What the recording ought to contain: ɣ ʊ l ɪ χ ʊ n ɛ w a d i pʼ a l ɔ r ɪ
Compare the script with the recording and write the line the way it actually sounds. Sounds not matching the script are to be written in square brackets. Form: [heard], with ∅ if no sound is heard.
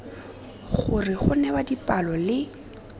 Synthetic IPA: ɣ ʊ [r] ɪ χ ʊ n ɛ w a d i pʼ a l ɔ [l] ɪ